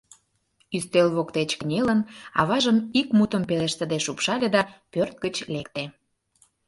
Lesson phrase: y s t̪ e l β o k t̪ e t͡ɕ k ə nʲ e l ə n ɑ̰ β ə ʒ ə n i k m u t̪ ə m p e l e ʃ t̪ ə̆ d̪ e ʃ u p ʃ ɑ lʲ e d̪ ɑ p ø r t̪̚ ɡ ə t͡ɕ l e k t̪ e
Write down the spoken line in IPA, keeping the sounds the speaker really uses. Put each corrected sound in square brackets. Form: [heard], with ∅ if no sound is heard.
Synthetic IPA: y s t̪ e l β o k t̪ e t͡ɕ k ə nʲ e l ə n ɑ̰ β [ɑ] ʒ ə [m] i k m u t̪ ə m p e l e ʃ t̪ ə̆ d̪ e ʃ u p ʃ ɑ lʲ e d̪ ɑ p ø r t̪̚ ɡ ə t͡ɕ l e k t̪ e